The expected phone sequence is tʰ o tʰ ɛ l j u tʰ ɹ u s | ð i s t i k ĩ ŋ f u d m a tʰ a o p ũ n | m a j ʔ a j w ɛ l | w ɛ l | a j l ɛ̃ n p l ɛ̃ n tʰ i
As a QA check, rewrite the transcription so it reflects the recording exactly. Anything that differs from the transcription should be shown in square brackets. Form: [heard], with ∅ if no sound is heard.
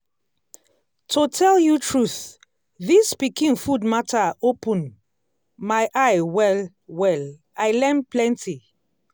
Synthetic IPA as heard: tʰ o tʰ ɛ l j u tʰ ɹ u [θ] | ð i s [p] i k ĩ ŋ f u d m a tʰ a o p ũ n | m a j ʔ a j w ɛ l | w ɛ l | a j l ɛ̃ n p l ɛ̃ n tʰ i

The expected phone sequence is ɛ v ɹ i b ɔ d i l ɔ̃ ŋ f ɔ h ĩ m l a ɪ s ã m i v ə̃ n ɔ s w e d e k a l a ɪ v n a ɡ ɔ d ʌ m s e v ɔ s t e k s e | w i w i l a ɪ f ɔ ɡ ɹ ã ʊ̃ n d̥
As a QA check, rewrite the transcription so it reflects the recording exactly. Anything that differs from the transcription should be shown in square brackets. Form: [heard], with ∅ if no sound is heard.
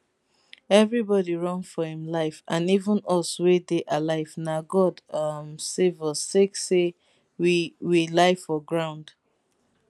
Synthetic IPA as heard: ɛ v ɹ i b ɔ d i [ɹ] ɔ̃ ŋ f ɔ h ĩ m l a ɪ [f] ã [n] i v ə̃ n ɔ s w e d e [ʔ] a l a ɪ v n a ɡ ɔ d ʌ m s e v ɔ s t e k s e | w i w i l a ɪ f ɔ ɡ ɹ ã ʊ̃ n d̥

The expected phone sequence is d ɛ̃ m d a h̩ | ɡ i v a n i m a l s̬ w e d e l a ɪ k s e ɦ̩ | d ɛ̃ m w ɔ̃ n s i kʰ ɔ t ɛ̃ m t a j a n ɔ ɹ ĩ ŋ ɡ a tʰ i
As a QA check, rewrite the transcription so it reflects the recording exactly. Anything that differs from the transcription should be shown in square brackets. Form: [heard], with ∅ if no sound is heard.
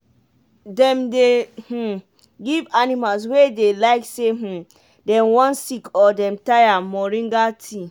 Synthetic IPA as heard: d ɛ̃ m d [e] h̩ | ɡ i v a n i m a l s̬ w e d e l a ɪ k s e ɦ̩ | d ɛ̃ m w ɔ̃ n s i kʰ ɔ [d] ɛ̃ m t a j a [m] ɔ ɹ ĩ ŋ ɡ a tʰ i

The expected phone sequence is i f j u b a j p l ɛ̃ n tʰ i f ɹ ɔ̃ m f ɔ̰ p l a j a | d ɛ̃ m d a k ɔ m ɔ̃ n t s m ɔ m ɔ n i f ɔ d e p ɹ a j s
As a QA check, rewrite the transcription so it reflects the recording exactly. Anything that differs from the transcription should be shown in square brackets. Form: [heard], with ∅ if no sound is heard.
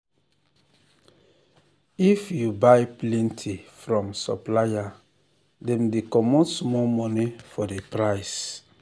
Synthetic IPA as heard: i f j u b a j p l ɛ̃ n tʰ i f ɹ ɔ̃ m [s] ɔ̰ p l a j a | d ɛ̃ m d [e] k ɔ m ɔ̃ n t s m ɔ m ɔ n i f ɔ d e p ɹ a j s

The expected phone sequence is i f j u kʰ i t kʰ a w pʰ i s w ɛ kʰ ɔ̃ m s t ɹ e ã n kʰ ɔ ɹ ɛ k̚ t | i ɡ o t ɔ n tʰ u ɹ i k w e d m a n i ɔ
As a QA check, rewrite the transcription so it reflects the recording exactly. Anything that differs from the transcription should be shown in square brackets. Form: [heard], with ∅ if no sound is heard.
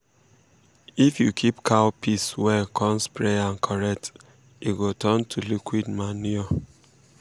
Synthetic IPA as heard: i f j u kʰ i [p] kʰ a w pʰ i s w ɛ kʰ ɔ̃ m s [p] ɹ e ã n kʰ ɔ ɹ ɛ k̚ t | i ɡ o t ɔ n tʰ u [l] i k w [i] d m a n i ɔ

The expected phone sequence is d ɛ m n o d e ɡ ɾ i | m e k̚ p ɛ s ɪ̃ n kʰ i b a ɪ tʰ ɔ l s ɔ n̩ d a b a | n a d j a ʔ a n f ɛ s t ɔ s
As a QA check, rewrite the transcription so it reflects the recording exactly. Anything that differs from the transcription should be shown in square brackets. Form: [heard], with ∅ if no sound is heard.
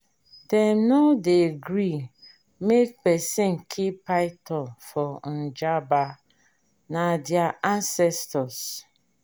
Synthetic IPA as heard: d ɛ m n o d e ɡ ɾ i | m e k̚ p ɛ s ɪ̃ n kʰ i [p] a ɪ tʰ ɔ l [f] ɔ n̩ [d͡ʒ] a b a | n a d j a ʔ a n [s] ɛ s t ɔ s

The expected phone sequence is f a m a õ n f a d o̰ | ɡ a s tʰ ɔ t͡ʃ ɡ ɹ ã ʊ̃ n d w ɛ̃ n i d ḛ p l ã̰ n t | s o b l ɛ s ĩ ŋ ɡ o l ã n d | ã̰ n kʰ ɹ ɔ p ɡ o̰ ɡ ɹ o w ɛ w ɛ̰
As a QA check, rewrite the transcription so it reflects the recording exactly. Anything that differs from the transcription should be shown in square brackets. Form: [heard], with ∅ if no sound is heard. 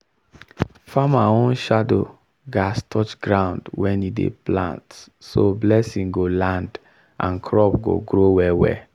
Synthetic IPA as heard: f a m a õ n [ʃ] a d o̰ | ɡ a s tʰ ɔ t͡ʃ ɡ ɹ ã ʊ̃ n d w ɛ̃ n i d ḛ p l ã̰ n t | s o b l ɛ s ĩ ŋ ɡ o l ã n d | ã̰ n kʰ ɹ ɔ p ɡ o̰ ɡ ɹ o w ɛ w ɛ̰

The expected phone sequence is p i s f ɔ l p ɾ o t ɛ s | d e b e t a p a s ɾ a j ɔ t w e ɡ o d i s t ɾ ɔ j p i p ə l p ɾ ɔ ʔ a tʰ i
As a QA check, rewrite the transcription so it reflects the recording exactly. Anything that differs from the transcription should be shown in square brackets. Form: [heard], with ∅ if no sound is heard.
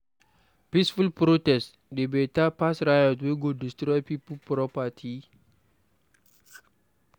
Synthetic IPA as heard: p i s f [u] l p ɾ o t ɛ s | d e b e t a p a s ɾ a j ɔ t w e ɡ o d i s t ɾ ɔ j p i p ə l p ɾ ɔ [p] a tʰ i

